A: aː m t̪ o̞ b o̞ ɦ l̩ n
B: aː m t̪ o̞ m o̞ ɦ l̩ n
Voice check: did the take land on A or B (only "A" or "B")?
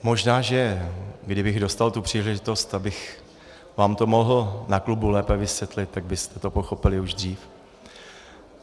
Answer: B